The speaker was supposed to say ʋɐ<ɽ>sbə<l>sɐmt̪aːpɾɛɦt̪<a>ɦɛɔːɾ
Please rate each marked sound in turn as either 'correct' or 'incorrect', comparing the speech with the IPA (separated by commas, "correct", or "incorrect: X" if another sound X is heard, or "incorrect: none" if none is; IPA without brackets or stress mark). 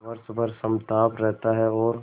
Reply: incorrect: ɾ, incorrect: ɾ, correct